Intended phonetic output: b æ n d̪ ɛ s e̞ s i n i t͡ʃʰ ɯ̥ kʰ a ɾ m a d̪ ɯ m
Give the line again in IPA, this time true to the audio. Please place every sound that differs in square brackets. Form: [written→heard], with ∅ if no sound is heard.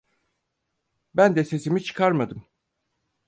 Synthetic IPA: b æ n d̪ ɛ s e̞ s i [n→m] i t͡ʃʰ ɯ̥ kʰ a ɾ m a d̪ ɯ m